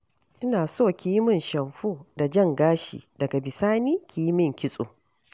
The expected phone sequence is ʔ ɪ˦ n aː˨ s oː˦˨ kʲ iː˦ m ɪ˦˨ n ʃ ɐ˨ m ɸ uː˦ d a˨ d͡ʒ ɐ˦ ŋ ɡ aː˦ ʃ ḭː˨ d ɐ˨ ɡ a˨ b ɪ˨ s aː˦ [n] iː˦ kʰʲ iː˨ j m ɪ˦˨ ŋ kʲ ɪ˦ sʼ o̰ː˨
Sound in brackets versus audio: correct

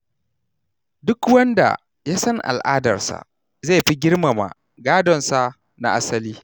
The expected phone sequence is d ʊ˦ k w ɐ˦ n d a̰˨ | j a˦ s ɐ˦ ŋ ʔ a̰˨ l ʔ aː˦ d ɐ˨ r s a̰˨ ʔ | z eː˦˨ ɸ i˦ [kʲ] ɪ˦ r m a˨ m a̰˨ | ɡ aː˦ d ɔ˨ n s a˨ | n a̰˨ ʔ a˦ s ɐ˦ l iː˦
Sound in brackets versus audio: incorrect: ɡʲ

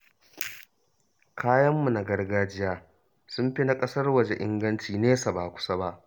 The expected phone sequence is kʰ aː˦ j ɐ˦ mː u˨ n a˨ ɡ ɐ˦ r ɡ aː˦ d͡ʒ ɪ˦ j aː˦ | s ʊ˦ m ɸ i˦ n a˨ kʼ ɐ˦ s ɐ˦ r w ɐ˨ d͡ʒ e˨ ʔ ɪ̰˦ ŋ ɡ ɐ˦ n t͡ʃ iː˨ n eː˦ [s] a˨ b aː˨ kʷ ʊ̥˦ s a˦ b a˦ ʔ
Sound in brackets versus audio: correct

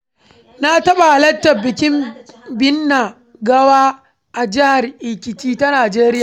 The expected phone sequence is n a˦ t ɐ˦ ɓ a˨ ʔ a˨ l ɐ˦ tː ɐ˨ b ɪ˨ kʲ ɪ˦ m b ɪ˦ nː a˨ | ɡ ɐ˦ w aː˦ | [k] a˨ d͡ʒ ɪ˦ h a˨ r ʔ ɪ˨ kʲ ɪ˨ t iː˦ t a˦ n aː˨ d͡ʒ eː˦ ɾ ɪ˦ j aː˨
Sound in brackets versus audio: incorrect: ʔ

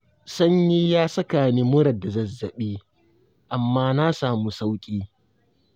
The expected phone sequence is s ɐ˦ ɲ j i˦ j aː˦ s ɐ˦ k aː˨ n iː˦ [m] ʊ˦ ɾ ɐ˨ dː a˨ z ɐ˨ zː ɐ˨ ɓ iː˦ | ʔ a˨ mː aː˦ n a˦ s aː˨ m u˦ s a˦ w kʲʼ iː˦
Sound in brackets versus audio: correct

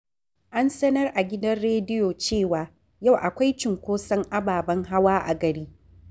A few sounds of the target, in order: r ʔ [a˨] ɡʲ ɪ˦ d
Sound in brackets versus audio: correct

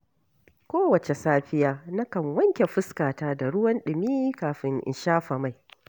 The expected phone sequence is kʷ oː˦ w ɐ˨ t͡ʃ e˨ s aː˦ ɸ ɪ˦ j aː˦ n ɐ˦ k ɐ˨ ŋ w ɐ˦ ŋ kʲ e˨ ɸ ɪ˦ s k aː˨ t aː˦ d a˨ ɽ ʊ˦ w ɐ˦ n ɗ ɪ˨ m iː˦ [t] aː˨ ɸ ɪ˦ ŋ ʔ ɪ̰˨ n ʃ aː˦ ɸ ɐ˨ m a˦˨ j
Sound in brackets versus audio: incorrect: k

